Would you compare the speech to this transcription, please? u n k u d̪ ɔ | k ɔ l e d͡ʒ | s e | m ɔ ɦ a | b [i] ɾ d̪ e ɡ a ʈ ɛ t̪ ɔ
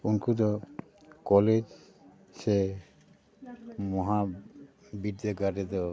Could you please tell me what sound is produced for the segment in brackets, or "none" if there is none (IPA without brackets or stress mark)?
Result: i